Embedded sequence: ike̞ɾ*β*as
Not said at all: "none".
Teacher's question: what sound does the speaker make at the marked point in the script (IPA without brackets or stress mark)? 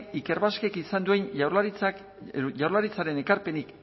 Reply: β